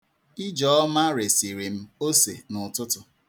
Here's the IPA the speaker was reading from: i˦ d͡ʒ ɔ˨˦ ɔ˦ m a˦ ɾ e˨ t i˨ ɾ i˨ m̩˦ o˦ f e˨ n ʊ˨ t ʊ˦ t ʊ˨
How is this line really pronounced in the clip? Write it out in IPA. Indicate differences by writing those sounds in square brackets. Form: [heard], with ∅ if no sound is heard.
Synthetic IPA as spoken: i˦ d͡ʒ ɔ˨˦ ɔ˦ m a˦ ɾ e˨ [s] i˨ ɾ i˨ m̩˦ o˦ [s] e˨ n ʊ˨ t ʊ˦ t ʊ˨